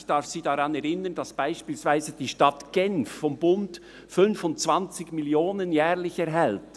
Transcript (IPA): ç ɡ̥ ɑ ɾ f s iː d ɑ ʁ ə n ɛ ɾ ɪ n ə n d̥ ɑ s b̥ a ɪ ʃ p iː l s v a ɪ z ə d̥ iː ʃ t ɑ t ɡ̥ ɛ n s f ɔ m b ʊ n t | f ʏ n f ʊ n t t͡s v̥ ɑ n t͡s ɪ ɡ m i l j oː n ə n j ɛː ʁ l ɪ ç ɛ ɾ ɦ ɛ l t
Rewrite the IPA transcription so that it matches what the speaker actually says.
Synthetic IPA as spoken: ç d̥ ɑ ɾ f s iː d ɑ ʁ ɑ n ɛ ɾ ɪ n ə n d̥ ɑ s b̥ a ɪ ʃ p iː l s v a ɪ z ə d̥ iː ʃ t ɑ t ɡ̥ ɛ n f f ɔ m b ʊ n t | f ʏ n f ʊ n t t͡s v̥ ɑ n t͡s ɪ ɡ m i l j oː n ə n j ɛː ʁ l ɪ ç ɛ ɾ ɦ ɛ l t

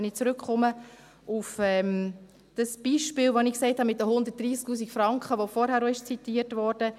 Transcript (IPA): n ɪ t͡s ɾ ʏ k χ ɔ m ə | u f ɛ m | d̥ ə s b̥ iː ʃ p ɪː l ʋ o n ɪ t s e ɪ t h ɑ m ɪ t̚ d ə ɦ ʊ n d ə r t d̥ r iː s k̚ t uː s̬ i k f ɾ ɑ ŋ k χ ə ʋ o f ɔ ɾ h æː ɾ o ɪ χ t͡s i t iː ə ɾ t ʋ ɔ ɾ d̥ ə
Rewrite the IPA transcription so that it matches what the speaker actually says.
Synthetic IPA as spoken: n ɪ t͡s ɾ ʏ k χ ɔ m ə | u f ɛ m | d̥ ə s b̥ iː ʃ p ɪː l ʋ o n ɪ k s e ɪ t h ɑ m ɪ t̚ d ə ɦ ʊ n d ə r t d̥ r iː s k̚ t uː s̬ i k f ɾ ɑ ŋ k χ ə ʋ o f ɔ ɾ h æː ɾ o ɪ ʃ t͡s i t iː ə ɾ t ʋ ɔ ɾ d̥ ə

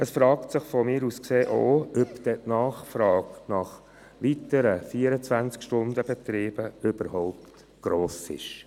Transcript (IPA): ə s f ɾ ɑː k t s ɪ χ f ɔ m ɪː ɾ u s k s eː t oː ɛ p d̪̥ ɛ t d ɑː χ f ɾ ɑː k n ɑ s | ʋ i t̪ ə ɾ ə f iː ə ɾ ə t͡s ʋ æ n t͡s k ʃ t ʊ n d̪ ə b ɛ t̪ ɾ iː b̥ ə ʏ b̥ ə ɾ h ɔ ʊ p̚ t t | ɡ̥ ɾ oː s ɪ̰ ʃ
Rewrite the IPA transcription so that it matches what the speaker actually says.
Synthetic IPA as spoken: ə s f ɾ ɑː k t s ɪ χ f ɔ m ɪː ɾ u s k s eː ʔ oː œ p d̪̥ ɛ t n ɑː χ f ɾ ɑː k n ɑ χ | ʋ i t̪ ə ɾ ə f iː ə ɾ ə t͡s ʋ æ n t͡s k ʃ t ʊ n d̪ ə b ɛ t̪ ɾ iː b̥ ə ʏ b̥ ə ɾ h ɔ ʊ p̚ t t | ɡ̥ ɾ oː s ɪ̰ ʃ

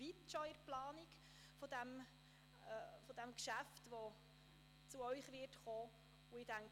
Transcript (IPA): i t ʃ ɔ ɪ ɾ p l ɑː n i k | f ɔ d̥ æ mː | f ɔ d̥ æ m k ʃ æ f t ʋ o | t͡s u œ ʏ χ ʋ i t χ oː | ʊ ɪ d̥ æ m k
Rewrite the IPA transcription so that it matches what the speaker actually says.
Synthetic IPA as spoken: i t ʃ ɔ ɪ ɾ p l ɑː n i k | f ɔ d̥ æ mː | f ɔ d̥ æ m k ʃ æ f t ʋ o | t͡s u œ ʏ χ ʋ ɪ t χ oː | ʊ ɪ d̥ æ ŋ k

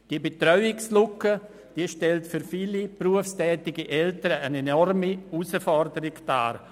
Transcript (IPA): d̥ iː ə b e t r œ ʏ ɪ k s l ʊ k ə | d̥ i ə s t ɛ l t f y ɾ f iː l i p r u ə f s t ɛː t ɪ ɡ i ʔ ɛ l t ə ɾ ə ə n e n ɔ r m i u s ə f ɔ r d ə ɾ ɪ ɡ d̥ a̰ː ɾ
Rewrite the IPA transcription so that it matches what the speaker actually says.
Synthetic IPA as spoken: d̥ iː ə b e t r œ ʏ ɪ k s l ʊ k ə | d̥ i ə ʃ t ɛ l t f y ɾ f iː l i p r u ə f s t ɛː t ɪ ɡ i ʔ ɛ l t ə ɾ ə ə n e n ɔ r m i u s ə f ɔ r d ə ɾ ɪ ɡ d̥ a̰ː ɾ

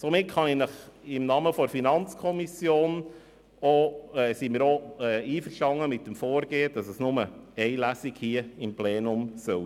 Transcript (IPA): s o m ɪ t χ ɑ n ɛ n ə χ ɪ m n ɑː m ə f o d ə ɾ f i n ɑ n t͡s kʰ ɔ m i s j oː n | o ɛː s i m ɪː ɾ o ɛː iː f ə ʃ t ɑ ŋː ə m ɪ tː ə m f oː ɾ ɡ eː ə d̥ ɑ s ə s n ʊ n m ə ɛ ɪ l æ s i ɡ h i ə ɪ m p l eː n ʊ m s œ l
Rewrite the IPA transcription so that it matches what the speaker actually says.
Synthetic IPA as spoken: s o m ɪ t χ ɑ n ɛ n ə χ ɪ m n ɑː m ə f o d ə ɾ f i n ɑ n t͡s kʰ ɔ m i s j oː n | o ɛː s i m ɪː ɾ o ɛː iː f ə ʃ t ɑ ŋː ə m ɪ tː ə m f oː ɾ ɡ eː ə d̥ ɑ s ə s n ʊ m ə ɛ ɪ l æ s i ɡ h i ə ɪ m p l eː n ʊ m s œ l

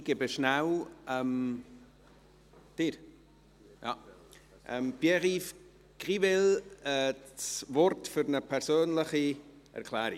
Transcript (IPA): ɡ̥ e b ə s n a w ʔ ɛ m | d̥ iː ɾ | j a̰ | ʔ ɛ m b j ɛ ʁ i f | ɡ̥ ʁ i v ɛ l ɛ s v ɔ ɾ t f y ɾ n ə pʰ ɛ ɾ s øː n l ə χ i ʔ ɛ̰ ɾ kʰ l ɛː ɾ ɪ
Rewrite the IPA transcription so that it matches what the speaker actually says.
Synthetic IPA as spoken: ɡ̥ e b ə ʃ n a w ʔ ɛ m | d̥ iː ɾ | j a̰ | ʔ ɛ m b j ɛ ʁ i f | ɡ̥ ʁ i v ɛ l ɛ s v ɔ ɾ t f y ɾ n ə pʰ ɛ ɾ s øː n l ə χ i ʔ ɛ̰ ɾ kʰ l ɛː ɾ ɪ

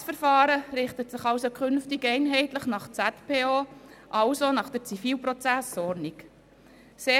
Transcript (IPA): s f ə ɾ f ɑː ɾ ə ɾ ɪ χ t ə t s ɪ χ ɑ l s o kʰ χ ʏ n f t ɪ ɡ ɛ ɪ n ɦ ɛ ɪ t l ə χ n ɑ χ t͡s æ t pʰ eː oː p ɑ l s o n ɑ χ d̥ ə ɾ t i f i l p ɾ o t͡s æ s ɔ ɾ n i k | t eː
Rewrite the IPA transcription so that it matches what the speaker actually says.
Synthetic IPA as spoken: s f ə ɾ f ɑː ɾ ə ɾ ɪ χ t ə t s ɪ χ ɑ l s o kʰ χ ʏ n f t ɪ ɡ ɛ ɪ n ɦ ɛ ɪ t l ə χ n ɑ χ t͡s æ t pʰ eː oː ʔ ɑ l s o n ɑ χ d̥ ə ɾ t͡s i f iː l p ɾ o t͡s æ s ɔ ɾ n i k | s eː

